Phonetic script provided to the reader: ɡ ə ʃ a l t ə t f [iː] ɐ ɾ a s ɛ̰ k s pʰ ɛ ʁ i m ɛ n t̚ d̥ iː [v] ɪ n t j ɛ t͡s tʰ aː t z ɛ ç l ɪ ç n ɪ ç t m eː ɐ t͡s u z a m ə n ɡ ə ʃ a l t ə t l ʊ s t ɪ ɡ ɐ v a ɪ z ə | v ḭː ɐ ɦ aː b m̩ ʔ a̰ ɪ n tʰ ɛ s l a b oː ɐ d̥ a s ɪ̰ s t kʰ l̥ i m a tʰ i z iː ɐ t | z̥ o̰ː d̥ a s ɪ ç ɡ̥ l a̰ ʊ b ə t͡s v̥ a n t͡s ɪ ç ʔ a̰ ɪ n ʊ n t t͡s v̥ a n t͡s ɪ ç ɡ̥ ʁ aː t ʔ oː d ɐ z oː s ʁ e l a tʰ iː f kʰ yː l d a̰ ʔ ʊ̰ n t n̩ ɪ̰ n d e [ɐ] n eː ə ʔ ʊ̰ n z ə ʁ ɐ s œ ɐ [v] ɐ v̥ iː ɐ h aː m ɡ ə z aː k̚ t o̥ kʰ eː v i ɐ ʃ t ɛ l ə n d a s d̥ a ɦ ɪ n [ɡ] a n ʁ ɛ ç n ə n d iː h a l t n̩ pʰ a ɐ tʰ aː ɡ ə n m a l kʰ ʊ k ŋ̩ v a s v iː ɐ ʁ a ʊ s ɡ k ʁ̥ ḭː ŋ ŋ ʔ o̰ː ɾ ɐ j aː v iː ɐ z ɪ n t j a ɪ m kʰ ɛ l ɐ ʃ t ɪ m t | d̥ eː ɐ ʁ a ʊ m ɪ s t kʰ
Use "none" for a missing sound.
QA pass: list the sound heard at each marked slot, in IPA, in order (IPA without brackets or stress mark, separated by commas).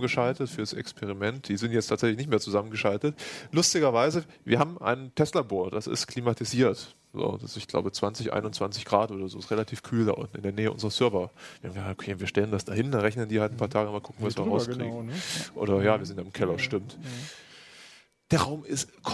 yː, z, ɐ, v, d